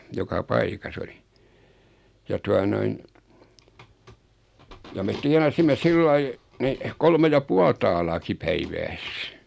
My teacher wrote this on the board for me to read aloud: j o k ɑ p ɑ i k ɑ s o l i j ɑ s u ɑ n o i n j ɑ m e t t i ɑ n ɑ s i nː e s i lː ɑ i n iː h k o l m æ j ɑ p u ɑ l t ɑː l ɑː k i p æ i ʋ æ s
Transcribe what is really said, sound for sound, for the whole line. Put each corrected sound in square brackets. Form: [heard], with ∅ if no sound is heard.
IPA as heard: j o k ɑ p ɑ i k ɑ s o l i j ɑ [t] u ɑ n o i n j ɑ m e t t i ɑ n ɑ s i [mː] e s i lː ɑ i n [i] h k o l m [e] j ɑ p u ɑ l t ɑː l ɑː k i p æ i ʋ [æː] s